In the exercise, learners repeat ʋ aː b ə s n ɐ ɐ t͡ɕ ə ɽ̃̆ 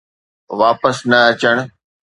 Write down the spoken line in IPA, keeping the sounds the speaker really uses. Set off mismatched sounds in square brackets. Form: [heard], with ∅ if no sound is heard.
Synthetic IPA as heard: ʋ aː [p] ə s n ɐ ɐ t͡ɕ ə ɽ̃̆